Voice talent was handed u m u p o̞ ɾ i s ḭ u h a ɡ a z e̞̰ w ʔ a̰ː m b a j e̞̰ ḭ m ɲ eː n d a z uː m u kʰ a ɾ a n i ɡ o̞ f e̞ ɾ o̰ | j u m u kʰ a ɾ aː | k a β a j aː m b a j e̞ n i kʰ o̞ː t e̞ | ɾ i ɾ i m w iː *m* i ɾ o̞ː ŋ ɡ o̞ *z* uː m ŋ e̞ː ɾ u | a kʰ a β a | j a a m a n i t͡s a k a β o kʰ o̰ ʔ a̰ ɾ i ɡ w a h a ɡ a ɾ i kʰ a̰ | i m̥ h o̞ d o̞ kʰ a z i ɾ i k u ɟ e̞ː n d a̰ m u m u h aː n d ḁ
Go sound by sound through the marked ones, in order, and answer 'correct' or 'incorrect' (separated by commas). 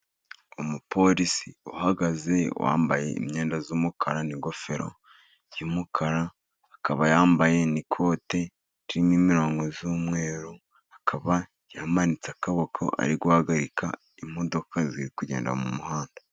correct, correct